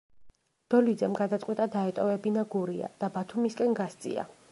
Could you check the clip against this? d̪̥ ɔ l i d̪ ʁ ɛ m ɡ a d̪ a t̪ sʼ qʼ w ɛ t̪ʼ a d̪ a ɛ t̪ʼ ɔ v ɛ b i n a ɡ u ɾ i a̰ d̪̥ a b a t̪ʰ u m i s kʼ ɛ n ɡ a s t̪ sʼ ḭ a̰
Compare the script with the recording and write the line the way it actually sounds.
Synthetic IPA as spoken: d̪̥ ɔ l i d̪ z ɛ m ɡ a d̪ a t̪ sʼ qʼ w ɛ t̪ʼ a d̪ a ɛ t̪ʼ ɔ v ɛ b i n a ɡ u ɾ i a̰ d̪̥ a b a t̪ʰ u m i s kʼ ɛ n ɡ a s t̪ sʼ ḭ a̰